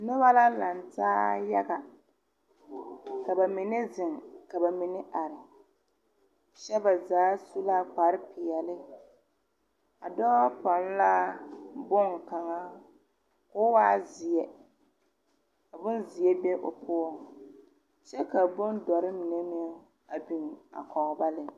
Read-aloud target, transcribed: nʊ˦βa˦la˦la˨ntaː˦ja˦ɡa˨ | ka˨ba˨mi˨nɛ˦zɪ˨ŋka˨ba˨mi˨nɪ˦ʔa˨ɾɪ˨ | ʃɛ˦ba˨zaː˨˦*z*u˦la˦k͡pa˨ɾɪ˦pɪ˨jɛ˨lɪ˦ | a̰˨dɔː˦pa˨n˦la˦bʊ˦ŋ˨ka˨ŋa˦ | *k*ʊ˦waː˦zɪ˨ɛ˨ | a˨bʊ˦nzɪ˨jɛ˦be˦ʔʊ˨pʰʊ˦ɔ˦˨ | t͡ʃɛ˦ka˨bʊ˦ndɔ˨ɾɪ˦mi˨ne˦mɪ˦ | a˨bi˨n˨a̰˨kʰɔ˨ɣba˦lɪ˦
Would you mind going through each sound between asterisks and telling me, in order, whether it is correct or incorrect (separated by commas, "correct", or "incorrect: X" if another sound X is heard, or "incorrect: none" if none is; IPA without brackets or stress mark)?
incorrect: s, correct